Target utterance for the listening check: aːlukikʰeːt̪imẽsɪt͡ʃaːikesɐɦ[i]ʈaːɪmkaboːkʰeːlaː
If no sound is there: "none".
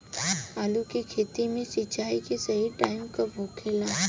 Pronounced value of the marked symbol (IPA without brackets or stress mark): i